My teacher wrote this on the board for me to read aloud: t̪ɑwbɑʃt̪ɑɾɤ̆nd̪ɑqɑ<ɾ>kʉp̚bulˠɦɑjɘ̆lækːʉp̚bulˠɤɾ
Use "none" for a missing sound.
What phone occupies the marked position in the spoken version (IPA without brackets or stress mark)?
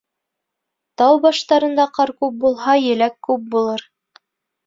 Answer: ɾ